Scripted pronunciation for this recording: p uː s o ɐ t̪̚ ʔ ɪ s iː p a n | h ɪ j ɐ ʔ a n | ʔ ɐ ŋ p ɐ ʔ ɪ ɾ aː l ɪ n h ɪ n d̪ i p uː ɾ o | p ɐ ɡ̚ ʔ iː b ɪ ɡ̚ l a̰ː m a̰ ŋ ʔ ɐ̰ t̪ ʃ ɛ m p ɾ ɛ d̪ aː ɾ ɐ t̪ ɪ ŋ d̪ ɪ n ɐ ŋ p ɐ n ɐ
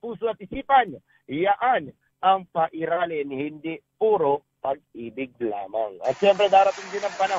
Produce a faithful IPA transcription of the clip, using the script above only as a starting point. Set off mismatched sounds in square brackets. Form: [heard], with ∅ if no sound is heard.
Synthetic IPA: p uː s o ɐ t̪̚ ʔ ɪ s iː p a n | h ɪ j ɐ ʔ a n | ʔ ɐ ŋ p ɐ ʔ ɪ ɾ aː l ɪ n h ɪ n d̪ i p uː ɾ o | p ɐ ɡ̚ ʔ iː b ɪ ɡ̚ l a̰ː m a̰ ŋ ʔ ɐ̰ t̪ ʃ ɛ m p ɾ ɛ d̪ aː ɾ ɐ t̪ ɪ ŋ d̪ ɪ n ɐ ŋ p ɐ n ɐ